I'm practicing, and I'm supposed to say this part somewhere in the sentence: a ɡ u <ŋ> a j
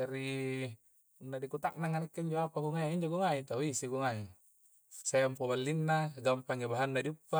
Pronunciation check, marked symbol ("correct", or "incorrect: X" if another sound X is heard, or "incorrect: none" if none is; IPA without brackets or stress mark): correct